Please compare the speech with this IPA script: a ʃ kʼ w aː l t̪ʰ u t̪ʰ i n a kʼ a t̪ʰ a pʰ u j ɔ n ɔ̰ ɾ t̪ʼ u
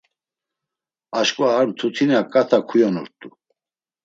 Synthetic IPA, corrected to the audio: a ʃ kʼ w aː ɾ t̪ʰ u t̪ʰ i n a kʼ a t̪ʰ a kʰ u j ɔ n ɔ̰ ɾ t̪ʼ u